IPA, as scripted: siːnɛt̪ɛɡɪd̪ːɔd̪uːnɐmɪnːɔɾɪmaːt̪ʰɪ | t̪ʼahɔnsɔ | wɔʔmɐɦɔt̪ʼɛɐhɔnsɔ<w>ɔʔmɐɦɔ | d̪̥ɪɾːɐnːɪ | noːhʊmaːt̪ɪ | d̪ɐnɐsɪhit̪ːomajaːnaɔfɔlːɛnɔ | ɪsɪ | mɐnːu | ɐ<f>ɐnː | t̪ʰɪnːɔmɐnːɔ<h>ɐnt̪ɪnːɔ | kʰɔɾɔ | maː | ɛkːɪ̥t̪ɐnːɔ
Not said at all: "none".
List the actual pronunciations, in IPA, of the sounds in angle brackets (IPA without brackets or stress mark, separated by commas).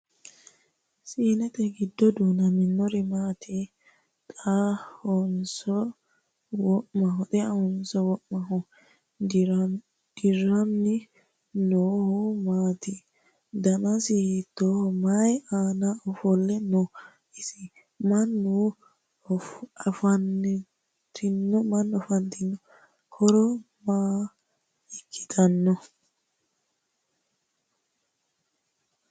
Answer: w, f, f